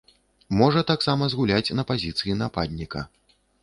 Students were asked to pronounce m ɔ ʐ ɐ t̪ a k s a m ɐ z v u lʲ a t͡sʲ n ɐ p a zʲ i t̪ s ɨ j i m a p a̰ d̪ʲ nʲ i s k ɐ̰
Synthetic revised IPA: m ɔ ʐ ɐ t̪ a k s a m ɐ z ɣ u lʲ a t͡sʲ n ɐ p a zʲ i t̪ s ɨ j i n a p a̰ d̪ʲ nʲ i k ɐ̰